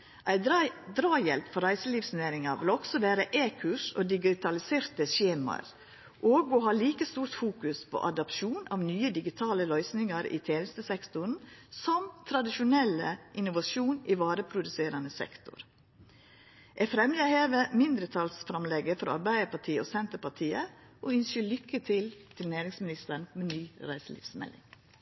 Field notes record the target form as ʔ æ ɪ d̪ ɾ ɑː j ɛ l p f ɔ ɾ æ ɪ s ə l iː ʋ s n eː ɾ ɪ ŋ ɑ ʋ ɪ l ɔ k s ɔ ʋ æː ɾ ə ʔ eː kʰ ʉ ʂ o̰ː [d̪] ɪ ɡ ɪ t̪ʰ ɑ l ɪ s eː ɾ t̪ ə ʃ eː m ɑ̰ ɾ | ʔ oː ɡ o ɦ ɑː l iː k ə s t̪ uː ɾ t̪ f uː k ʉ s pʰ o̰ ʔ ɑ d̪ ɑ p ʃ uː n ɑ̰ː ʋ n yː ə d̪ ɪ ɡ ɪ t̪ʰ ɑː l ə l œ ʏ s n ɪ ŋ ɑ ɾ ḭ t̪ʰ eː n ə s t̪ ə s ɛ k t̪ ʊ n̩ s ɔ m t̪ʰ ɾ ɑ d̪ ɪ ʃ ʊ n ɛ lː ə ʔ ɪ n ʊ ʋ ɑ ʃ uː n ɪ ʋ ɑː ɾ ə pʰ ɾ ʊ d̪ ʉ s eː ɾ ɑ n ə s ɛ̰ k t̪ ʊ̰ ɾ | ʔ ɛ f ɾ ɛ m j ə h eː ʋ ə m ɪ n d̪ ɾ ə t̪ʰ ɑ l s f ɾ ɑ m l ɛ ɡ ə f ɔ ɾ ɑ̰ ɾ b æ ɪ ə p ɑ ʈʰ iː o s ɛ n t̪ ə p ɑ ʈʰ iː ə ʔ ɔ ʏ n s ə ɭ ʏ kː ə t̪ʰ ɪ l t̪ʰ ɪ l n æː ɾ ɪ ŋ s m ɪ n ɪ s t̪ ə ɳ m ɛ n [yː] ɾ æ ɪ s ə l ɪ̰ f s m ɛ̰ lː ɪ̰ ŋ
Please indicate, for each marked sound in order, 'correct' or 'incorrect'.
correct, correct

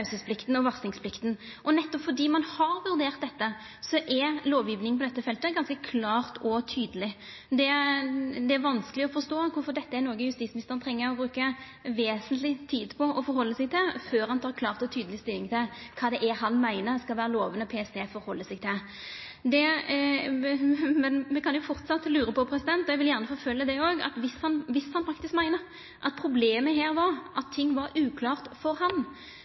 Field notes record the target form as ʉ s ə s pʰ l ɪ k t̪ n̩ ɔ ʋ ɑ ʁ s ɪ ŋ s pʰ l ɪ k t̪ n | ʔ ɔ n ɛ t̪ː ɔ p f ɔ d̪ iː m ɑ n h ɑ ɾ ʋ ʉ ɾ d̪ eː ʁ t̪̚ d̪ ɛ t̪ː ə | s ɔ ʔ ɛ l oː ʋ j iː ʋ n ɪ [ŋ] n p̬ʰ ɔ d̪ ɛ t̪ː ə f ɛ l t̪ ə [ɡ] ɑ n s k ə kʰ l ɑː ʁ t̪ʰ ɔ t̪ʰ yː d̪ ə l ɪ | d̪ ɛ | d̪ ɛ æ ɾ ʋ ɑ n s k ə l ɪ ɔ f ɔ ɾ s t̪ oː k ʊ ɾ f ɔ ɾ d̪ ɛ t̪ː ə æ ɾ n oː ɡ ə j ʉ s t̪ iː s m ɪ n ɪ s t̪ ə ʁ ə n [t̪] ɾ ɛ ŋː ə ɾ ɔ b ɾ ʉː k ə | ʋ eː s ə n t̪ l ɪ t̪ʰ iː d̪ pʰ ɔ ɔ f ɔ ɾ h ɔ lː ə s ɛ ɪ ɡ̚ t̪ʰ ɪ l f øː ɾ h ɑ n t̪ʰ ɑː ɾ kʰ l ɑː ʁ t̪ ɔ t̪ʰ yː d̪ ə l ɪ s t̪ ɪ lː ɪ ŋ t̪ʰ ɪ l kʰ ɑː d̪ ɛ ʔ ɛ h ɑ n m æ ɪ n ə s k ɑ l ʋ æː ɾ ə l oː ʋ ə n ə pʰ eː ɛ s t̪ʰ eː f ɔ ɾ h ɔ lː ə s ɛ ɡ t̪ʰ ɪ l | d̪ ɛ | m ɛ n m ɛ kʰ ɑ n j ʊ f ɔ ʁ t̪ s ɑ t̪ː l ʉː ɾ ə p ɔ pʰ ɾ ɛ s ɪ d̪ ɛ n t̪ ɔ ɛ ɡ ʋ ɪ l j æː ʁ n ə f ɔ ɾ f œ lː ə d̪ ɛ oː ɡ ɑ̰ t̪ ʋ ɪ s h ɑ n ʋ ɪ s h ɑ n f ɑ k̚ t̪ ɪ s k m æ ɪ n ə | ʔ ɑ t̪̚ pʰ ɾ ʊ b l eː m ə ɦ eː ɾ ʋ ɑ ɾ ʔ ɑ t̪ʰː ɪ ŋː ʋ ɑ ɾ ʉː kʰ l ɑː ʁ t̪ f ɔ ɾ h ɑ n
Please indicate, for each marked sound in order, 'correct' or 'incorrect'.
correct, correct, incorrect: t̪ʰ

